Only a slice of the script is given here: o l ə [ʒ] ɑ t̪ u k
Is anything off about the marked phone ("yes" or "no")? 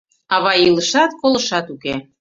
yes